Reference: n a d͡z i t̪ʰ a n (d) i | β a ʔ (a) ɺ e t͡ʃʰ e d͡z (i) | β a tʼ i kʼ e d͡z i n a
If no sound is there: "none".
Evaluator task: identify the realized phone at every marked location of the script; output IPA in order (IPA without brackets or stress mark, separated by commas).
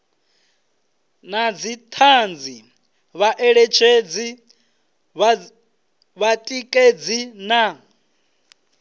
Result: d͡z, ɛ, i